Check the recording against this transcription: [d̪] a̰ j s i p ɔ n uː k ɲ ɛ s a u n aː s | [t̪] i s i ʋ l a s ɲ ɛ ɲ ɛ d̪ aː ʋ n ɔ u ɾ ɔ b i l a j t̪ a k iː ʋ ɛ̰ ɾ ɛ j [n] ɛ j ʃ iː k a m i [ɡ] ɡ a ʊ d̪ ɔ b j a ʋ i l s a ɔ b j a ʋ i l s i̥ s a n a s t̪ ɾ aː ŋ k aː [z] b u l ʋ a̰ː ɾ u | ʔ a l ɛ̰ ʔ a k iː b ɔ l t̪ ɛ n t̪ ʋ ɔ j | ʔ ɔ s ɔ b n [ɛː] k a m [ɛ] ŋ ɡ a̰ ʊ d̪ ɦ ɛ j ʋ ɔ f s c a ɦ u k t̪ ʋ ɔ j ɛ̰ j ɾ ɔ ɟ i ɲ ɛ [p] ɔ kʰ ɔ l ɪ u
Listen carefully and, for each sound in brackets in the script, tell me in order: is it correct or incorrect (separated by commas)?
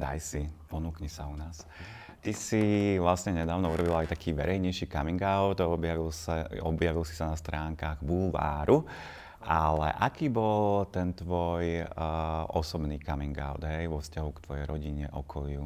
correct, correct, incorrect, incorrect, incorrect, incorrect, incorrect, incorrect